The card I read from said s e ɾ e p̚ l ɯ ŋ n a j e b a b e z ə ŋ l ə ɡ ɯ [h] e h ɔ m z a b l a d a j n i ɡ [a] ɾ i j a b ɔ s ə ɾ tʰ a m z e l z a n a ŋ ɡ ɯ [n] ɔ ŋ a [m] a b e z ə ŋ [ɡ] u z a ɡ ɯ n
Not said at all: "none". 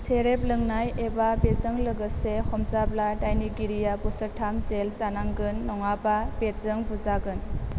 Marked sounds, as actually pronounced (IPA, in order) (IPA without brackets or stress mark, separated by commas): s, i, nː, b, b